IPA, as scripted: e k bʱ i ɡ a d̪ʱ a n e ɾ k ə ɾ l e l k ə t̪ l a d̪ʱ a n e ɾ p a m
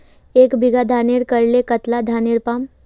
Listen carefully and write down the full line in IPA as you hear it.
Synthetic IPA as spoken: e k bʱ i ɡ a d̪ʱ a n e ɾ k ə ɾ l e k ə t̪ l a d̪ʱ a n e ɾ p a m